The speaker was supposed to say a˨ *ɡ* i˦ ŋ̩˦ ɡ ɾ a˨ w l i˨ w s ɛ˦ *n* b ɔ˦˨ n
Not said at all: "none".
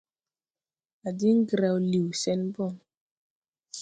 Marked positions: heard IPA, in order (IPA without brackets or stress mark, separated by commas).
d, n